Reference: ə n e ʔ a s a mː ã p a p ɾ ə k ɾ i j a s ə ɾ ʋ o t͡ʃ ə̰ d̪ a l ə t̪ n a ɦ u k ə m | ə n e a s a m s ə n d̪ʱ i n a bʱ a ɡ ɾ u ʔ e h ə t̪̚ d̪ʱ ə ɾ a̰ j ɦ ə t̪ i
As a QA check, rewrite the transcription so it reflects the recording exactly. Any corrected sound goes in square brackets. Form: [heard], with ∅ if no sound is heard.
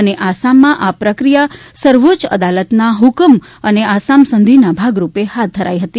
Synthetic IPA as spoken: ə n e ʔ a s a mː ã [ʔ] a p ɾ ə k ɾ i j a s ə ɾ ʋ o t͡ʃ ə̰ d̪ a l ə t̪ n a ɦ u k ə m | ə n e a s a m s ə n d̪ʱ i n a bʱ a ɡ ɾ u [p] e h [a] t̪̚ d̪ʱ ə ɾ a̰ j ɦ ə t̪ i